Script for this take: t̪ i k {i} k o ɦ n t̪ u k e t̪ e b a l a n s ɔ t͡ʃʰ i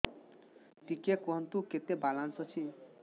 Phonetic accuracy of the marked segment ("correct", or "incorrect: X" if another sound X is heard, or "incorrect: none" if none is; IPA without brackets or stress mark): incorrect: e